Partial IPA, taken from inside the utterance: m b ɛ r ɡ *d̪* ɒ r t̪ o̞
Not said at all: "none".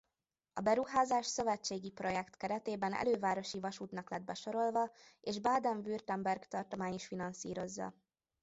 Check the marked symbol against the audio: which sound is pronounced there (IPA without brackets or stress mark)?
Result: t̪